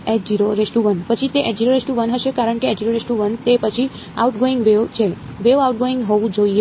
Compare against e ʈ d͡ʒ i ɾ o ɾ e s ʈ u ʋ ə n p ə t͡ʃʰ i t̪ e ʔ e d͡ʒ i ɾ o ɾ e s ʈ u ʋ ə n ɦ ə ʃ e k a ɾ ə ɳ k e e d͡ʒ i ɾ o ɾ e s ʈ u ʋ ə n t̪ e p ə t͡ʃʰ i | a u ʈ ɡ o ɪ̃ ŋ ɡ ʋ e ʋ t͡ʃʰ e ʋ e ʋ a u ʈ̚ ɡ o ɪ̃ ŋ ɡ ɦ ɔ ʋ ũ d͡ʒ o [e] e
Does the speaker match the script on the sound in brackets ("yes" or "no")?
no